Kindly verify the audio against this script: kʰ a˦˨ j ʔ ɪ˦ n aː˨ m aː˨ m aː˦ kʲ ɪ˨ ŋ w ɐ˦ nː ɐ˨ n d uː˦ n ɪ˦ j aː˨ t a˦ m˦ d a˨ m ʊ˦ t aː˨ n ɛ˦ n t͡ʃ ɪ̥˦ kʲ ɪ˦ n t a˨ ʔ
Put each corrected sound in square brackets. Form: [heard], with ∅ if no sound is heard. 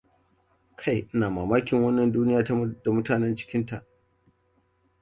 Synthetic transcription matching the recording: kʰ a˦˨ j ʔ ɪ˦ n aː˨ m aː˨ m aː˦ kʲ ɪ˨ ŋ w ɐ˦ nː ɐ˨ n d uː˦ n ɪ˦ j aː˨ t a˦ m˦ d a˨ m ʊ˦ t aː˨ n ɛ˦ n t͡ʃ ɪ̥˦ kʲ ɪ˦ n t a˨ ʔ